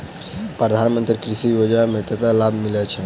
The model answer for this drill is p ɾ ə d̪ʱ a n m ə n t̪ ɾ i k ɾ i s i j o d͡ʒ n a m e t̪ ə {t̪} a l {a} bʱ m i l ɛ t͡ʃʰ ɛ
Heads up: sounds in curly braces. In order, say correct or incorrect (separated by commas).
correct, correct